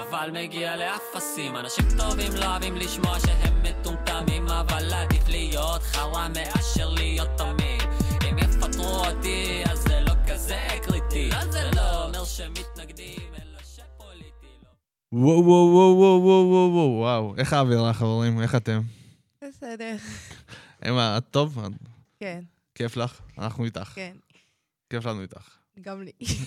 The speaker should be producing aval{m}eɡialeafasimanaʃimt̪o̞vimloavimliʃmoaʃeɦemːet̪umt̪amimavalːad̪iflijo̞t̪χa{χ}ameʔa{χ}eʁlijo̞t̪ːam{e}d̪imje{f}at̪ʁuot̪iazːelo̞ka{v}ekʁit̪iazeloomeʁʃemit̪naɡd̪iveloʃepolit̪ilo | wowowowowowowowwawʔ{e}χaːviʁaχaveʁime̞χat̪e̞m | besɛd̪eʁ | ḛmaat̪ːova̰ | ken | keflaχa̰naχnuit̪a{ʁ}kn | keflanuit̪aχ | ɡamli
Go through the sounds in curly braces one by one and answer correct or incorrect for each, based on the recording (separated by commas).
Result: correct, incorrect, incorrect, incorrect, correct, incorrect, correct, incorrect